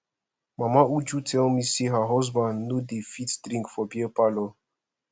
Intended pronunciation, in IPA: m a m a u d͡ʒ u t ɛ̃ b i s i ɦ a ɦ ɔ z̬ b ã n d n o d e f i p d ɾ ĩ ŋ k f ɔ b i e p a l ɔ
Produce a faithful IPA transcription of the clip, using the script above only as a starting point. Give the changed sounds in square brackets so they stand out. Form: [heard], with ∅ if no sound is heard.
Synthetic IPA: m a m a u d͡ʒ u t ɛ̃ [m] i s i ɦ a ɦ ɔ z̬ b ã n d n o d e f i [t] d ɾ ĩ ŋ k f ɔ b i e p a l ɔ